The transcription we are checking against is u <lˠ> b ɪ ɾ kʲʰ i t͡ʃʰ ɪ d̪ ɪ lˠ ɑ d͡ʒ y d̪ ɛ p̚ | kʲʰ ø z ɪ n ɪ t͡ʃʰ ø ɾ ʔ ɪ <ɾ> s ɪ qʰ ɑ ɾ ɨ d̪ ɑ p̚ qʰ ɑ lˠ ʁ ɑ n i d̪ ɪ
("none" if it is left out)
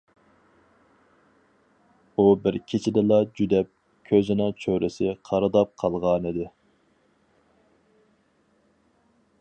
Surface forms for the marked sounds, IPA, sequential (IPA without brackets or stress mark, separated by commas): none, none